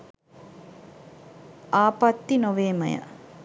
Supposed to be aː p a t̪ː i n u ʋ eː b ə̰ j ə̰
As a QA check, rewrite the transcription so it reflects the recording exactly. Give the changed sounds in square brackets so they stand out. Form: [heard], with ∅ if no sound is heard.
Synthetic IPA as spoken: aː p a t̪ː i n [o] ʋ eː [m] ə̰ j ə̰